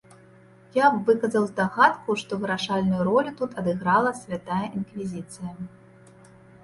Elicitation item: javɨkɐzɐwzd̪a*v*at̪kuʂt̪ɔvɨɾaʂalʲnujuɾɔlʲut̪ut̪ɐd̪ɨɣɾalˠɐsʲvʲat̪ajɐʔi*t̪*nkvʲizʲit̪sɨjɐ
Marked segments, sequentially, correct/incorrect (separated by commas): incorrect, incorrect